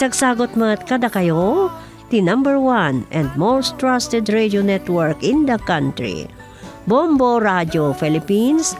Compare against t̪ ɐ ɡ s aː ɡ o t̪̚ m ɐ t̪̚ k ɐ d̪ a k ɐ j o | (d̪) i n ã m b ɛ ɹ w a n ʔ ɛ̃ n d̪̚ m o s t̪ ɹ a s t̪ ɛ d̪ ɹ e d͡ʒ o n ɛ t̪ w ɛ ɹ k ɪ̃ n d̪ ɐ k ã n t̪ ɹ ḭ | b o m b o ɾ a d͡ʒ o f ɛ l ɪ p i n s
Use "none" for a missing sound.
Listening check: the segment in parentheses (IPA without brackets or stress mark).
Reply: t̪